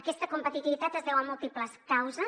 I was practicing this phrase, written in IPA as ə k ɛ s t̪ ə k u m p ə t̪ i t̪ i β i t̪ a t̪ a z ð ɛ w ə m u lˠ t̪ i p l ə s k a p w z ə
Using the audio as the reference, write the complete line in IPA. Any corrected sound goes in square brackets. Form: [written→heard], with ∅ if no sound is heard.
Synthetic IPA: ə k ɛ s t̪ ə k u m p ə t̪ i t̪ i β i t̪ a t̪ [a→ə] z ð ɛ w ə m u lˠ t̪ i p l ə s k a [p→∅] w z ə